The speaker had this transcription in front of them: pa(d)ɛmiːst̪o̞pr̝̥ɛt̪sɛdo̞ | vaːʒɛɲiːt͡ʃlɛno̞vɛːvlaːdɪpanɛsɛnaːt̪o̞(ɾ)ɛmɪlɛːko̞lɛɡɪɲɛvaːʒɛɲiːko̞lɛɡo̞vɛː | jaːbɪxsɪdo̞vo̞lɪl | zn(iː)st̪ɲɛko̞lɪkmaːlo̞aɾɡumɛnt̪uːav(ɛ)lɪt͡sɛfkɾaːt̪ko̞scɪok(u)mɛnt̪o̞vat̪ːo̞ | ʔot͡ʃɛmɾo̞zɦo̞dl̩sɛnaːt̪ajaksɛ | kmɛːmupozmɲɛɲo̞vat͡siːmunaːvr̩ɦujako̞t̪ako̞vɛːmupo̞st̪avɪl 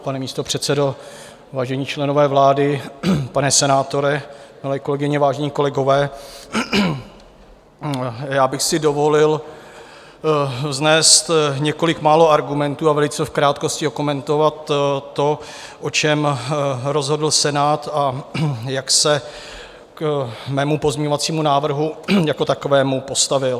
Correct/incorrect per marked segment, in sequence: incorrect: n, correct, incorrect: ɛː, correct, incorrect: o

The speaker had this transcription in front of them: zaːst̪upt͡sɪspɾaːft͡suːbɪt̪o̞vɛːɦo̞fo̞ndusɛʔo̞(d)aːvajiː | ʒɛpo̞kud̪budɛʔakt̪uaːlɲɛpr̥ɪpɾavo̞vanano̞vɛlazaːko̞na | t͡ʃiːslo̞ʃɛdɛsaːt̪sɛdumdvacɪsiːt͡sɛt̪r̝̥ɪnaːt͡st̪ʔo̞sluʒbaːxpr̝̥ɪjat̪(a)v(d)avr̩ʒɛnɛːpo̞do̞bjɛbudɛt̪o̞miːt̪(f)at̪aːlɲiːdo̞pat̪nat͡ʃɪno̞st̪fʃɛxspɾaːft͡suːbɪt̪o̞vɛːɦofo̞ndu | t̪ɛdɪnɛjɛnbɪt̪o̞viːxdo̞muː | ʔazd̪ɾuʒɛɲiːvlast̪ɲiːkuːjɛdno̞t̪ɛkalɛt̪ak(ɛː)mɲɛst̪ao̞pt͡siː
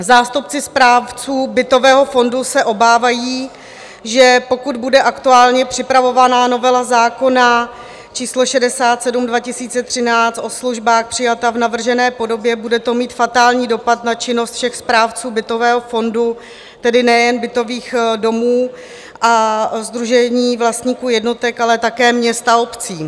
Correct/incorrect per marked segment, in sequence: incorrect: b, correct, incorrect: n, correct, correct

